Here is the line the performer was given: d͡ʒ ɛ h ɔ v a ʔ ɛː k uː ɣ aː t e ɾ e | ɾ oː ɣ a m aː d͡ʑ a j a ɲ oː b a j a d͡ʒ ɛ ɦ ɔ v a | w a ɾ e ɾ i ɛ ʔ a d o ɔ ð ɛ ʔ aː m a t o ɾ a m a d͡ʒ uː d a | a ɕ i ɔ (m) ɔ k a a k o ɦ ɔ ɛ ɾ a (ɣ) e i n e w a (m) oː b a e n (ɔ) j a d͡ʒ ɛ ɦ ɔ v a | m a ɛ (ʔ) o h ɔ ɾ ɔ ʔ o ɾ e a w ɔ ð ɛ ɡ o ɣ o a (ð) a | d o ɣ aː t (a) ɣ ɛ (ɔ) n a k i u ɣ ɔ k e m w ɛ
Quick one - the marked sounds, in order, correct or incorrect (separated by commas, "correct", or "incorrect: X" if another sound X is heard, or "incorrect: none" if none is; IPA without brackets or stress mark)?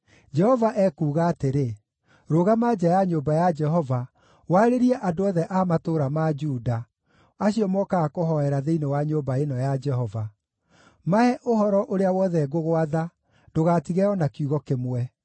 correct, incorrect: ð, incorrect: ɲ, correct, correct, correct, incorrect: i, correct